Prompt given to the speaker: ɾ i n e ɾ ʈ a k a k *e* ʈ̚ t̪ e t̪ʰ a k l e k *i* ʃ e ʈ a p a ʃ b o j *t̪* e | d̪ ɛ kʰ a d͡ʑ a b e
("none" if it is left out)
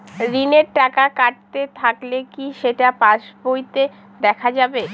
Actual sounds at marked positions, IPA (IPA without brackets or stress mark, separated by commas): a, i, t̪